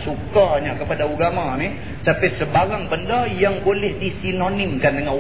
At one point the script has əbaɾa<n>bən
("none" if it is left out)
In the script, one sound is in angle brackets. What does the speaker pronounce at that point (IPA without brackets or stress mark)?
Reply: ŋ